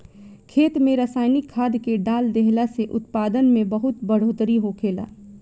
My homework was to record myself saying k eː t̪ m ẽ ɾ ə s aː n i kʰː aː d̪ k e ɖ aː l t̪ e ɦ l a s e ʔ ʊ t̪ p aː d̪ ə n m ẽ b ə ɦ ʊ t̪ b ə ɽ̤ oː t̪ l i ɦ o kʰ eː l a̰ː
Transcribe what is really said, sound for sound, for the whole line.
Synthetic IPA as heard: kʰ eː t̪ m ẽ ɾ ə s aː n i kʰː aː d̪ k e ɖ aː l d̪ e ɦ l a s e ʔ ʊ t̪ p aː d̪ ə n m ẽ b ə ɦ ʊ t̪ b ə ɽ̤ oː t̪ ɾ i ɦ o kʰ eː l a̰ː